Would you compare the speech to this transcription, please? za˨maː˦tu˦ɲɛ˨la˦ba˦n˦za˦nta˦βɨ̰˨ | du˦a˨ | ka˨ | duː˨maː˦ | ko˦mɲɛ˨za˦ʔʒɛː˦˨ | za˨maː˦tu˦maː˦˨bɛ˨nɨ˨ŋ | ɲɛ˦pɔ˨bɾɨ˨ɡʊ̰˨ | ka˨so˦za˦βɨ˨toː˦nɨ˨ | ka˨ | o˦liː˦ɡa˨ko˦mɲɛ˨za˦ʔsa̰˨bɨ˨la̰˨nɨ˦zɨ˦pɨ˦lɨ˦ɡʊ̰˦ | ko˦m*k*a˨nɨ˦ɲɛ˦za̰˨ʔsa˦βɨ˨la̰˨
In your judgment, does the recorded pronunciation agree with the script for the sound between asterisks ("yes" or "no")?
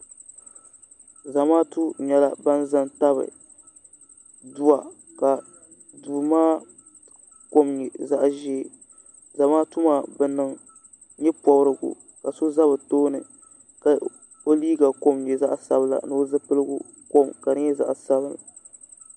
yes